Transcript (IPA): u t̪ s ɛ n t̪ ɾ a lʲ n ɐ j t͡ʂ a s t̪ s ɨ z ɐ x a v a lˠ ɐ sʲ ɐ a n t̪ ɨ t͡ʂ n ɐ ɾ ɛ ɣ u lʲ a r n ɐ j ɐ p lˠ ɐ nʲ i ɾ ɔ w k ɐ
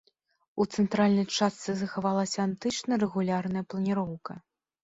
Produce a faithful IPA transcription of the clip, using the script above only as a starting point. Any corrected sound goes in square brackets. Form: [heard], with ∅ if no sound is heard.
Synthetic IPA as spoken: u t̪ s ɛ n t̪ ɾ a lʲ n ɐ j t͡ʂ a s t̪ s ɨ z ɐ x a v a lˠ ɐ sʲ ɐ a n t̪ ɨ t͡ʂ n ɐ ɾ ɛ ɣ u lʲ a r n ɐ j ɐ p lˠ ɐ nʲ i ɾ ɔ w k ɐ